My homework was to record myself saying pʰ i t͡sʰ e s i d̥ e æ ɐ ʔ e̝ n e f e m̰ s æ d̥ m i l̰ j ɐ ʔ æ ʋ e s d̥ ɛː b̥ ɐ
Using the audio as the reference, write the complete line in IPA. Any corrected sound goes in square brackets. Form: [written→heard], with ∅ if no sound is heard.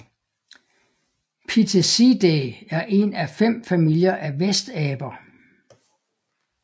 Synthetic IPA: pʰ i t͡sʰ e s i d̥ e æ ɐ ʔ e̝ n [e→æ] f e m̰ [s→f] æ [d̥→∅] m i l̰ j ɐ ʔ æ ʋ e s d̥ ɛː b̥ ɐ